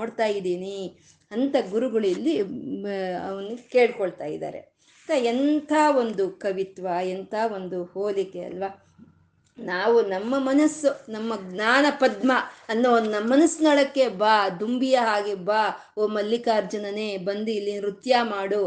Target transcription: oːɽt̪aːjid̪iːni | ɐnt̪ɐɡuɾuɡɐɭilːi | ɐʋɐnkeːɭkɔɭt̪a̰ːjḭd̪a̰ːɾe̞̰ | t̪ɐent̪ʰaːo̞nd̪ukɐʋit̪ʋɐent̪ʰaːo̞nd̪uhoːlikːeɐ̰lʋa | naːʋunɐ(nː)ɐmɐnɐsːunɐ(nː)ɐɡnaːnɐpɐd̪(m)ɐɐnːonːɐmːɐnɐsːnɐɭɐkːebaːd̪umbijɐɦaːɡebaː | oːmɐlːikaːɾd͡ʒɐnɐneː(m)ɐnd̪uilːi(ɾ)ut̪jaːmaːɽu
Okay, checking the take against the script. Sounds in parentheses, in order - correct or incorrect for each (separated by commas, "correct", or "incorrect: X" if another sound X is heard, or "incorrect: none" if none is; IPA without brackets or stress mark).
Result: incorrect: mː, incorrect: mː, correct, incorrect: b, correct